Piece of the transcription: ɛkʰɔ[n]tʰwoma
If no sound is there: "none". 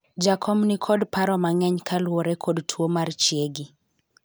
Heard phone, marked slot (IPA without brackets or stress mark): d